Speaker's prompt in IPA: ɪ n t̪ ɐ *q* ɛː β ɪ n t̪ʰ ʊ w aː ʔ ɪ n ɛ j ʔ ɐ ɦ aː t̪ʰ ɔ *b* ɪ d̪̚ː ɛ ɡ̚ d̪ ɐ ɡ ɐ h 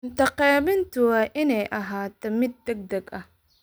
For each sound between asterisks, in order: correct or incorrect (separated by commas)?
correct, incorrect